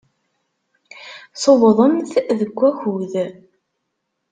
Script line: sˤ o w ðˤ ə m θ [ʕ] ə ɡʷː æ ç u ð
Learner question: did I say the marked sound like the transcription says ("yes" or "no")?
no